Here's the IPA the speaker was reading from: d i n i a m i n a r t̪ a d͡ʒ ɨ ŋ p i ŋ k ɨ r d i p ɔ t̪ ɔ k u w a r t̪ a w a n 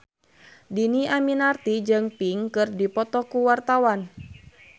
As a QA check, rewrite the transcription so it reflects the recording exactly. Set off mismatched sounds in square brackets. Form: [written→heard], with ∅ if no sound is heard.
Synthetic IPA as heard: d i n i a m i n a r t̪ [a→i] d͡ʒ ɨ ŋ p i ŋ k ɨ r d i p ɔ t̪ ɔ k u w a r t̪ a w a n